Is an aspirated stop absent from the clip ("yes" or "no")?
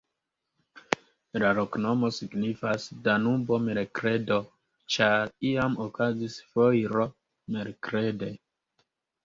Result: yes